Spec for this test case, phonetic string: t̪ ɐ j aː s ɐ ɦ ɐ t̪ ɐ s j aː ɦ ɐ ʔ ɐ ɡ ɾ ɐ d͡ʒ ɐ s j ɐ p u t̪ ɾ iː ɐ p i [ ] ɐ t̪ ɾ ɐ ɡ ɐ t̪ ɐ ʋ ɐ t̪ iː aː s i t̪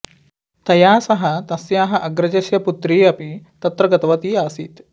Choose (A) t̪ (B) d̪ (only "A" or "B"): A